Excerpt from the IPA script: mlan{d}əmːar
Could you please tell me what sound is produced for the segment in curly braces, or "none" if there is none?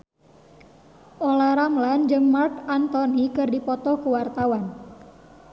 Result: d͡ʒ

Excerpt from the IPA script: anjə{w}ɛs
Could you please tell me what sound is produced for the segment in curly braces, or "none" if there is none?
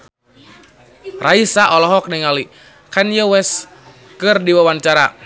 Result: w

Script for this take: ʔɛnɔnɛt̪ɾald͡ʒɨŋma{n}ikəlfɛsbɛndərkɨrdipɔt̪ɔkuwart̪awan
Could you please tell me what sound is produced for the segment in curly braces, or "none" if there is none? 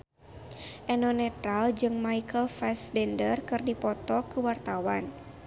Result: none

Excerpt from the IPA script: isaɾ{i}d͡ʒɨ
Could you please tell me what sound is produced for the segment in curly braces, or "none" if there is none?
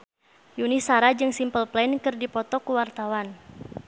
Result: a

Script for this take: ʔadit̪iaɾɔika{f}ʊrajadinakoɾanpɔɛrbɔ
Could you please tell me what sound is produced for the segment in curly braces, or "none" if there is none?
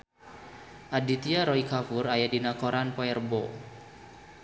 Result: f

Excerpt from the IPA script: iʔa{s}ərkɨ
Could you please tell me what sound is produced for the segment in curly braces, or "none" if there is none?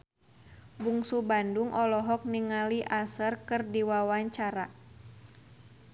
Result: s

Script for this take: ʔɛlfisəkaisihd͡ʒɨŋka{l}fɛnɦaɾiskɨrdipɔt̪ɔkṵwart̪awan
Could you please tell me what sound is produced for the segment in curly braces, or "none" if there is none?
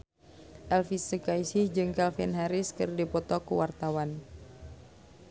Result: l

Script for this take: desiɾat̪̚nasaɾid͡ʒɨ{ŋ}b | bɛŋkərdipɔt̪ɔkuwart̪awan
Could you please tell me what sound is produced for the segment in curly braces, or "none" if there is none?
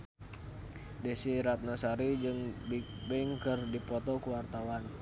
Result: ŋ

